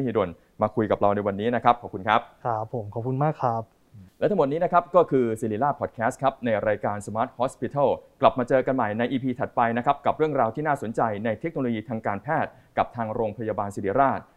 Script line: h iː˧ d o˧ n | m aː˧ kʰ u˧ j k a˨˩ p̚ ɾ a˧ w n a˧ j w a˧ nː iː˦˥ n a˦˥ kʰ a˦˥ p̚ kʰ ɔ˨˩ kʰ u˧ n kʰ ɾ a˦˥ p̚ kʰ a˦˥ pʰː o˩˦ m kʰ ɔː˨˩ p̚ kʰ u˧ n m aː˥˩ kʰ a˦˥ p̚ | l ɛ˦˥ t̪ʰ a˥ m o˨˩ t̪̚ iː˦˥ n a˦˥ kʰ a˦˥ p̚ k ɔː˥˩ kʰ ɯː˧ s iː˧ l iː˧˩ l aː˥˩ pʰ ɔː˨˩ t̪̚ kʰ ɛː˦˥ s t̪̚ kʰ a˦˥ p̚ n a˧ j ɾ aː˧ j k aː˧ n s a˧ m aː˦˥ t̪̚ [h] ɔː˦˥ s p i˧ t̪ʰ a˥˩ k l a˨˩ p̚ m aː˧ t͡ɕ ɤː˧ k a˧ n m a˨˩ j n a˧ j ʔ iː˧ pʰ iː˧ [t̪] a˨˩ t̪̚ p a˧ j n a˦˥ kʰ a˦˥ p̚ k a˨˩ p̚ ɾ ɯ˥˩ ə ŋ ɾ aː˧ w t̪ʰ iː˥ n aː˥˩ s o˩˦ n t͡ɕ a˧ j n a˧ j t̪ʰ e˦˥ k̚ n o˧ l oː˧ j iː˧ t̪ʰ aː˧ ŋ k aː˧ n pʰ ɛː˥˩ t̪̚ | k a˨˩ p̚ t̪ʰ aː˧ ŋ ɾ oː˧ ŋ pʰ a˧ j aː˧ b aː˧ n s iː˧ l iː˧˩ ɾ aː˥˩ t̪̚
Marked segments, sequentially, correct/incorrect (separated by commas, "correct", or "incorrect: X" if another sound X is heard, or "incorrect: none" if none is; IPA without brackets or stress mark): correct, incorrect: t̪ʰ